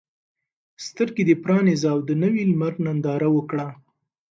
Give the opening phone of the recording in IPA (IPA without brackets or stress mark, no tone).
s